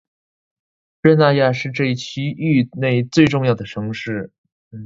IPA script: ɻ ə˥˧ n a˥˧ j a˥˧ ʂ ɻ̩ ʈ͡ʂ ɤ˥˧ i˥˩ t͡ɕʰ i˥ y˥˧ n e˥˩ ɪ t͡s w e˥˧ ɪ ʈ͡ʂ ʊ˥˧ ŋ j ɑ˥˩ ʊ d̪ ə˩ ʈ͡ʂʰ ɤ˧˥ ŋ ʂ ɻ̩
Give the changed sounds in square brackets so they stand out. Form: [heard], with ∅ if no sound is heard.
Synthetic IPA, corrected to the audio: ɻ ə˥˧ n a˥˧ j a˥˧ ʂ ɻ̩ ʈ͡ʂ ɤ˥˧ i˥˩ t͡ɕʰ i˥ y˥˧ n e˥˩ ɪ t͡s w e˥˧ ɪ ʈ͡ʂ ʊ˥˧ ŋ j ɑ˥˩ ʊ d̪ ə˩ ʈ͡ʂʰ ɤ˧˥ ŋ ʂ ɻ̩